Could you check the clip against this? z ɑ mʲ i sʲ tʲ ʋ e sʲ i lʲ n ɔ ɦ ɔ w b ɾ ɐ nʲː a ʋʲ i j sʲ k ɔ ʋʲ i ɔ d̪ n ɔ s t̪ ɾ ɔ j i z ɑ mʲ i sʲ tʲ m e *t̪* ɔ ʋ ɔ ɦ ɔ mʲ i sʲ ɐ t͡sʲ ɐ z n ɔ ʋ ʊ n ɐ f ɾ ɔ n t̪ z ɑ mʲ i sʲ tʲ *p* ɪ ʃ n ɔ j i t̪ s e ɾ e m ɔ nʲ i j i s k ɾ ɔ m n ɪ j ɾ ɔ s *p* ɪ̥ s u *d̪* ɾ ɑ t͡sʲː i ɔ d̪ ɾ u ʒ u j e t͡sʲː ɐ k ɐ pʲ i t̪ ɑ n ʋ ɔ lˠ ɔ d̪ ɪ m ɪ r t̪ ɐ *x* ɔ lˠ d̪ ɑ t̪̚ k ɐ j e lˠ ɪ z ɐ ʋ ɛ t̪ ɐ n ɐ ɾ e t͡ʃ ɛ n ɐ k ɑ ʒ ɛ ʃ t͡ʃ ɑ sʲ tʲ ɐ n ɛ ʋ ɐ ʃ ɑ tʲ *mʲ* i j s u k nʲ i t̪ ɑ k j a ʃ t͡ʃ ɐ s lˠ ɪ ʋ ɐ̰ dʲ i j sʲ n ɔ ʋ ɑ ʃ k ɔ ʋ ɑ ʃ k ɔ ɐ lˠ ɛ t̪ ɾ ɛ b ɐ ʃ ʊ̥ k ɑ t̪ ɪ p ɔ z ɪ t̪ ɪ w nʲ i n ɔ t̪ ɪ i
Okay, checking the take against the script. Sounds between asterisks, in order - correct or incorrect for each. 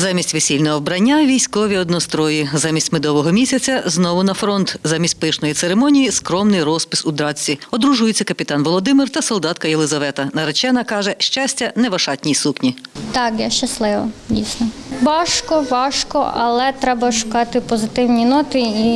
incorrect, correct, correct, correct, incorrect, incorrect

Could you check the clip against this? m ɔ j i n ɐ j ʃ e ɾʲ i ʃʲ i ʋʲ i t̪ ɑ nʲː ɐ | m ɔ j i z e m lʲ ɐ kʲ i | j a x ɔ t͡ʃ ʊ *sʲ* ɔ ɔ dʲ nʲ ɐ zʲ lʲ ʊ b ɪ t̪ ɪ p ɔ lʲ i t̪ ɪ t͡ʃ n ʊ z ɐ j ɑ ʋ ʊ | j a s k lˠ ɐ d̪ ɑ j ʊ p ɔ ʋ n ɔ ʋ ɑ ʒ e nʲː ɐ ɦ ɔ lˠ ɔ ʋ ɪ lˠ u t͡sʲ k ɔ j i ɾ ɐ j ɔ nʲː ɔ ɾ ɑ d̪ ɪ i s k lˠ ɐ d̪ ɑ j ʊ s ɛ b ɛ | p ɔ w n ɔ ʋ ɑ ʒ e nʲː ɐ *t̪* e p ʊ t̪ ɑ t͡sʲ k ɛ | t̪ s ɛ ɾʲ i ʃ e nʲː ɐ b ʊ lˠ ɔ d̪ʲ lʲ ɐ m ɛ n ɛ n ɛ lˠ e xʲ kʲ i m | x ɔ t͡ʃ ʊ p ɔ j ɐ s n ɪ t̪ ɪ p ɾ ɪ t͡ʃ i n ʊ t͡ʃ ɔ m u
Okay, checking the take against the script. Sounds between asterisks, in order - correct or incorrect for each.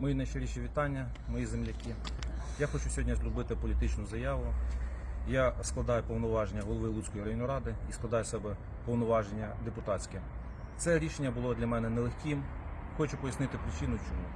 correct, incorrect

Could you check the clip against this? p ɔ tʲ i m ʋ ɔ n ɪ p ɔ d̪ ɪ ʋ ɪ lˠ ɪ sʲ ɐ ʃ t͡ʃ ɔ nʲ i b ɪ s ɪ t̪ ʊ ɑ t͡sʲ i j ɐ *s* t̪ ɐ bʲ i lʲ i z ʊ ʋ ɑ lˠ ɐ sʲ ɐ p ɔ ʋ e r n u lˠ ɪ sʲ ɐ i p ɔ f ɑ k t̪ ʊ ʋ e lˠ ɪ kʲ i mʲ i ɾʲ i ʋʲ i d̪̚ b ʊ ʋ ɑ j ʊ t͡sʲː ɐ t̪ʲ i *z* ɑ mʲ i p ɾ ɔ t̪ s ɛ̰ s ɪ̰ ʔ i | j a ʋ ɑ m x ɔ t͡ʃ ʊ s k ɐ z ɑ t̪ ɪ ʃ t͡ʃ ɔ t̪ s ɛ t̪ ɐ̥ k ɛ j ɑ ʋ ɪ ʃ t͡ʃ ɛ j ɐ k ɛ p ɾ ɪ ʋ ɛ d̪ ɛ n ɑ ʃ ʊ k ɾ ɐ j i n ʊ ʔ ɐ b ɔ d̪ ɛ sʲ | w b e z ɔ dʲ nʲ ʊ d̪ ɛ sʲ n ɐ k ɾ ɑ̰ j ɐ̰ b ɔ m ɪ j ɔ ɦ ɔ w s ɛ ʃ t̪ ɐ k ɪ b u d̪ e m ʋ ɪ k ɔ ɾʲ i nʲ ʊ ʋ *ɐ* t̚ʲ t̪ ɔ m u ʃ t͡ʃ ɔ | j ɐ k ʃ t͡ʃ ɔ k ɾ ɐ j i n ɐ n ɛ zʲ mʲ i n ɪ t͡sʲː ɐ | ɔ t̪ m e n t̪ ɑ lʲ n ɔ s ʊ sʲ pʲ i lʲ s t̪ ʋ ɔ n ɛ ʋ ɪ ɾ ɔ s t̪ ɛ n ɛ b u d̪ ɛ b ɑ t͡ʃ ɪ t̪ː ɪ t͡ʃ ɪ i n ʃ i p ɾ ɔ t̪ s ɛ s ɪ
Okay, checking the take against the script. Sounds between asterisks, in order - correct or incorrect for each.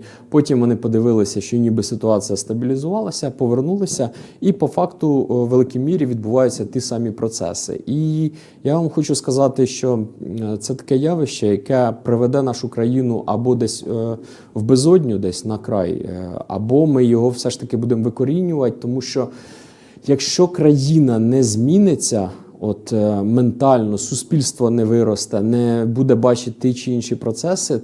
correct, incorrect, correct

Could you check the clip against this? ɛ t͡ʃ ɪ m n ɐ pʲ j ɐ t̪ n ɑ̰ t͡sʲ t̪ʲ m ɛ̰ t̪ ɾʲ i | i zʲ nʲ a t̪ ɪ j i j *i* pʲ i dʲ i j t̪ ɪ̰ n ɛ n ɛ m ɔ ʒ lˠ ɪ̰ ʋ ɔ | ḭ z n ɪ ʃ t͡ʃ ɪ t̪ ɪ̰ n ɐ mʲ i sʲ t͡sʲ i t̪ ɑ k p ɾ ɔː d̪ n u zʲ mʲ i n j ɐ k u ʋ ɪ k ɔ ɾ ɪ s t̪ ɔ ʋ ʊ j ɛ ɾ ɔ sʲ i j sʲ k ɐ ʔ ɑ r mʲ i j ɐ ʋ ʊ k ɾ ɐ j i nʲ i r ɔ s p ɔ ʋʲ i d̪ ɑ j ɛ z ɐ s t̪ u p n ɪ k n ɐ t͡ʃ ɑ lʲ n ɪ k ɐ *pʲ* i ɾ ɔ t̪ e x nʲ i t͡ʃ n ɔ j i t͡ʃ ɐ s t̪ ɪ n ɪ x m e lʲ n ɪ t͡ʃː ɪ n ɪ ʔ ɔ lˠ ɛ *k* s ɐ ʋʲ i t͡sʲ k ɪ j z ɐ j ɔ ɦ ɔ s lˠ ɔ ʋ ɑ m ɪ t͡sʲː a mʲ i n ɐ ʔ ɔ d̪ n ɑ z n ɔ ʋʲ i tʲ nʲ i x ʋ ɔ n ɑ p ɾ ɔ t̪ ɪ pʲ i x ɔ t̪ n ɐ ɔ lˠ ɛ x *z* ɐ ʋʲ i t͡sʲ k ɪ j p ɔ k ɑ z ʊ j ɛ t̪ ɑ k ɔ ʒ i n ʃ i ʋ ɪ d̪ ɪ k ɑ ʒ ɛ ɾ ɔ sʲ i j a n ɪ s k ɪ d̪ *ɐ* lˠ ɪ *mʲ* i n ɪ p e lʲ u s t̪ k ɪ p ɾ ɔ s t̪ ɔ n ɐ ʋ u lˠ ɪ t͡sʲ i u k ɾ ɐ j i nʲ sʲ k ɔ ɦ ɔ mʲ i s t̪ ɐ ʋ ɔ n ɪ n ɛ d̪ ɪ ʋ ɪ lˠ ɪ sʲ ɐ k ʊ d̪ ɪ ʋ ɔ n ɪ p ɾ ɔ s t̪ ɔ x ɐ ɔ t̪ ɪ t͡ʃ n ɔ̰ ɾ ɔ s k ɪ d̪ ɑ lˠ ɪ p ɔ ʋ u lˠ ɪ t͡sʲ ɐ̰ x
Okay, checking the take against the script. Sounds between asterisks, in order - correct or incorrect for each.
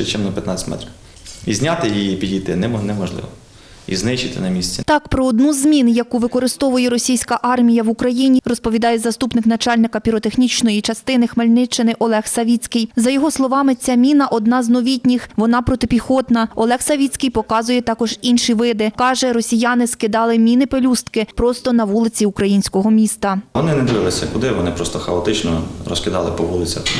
correct, correct, incorrect, incorrect, incorrect, correct

